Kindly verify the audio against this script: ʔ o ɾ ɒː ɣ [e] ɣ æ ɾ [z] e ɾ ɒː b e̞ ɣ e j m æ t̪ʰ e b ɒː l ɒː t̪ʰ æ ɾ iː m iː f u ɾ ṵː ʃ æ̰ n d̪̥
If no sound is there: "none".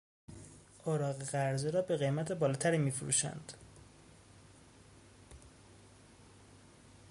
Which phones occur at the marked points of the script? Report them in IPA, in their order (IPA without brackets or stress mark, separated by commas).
e, z